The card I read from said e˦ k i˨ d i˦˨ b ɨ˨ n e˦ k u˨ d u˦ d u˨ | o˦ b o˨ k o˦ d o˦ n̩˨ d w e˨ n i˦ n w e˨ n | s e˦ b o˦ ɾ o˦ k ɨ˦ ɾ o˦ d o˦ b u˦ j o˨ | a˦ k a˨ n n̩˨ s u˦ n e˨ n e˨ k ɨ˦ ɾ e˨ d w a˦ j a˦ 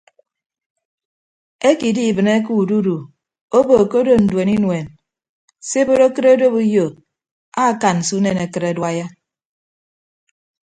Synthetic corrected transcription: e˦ k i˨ d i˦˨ b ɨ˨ n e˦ k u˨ d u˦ d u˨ | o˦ b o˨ k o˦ d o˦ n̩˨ d w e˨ n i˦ n w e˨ n | s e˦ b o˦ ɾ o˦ k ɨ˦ ɾ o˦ d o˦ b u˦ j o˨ | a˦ k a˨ n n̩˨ s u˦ n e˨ n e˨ k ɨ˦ ɾ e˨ d w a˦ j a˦